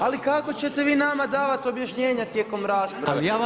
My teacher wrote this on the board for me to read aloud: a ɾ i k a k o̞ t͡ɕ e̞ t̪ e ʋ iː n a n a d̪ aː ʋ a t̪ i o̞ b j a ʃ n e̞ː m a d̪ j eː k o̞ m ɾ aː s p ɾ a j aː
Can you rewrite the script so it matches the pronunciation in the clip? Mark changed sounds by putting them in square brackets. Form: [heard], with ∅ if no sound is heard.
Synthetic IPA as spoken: a [l] i k a k o̞ t͡ɕ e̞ t̪ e ʋ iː n a [m] a d̪ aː ʋ a t̪ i o̞ b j a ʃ [ɲ] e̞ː [ɲ] a [t̪] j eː k o̞ m ɾ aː s p ɾ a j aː